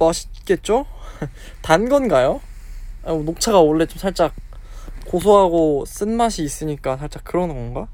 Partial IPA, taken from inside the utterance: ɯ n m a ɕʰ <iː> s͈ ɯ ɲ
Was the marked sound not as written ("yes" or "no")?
no